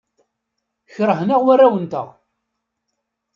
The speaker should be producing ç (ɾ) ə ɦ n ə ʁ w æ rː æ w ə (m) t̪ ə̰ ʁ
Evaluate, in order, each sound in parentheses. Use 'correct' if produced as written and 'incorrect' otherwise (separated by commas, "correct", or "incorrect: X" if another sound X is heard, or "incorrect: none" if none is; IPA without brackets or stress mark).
correct, incorrect: n